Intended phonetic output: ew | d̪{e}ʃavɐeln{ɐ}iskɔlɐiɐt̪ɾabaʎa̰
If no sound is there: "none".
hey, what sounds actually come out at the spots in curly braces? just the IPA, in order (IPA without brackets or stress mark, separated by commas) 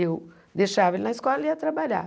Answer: e, ɐ